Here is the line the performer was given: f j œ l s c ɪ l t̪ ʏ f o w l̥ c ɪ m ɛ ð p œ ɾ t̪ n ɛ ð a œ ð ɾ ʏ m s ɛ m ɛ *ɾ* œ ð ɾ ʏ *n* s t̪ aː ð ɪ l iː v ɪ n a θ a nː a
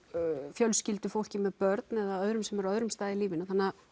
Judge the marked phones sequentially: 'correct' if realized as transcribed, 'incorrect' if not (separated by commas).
correct, incorrect